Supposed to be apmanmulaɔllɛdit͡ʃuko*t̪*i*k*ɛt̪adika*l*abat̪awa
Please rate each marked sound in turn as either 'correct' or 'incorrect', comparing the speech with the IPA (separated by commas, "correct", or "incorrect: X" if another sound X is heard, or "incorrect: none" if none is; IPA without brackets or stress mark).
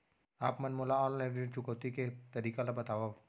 correct, correct, correct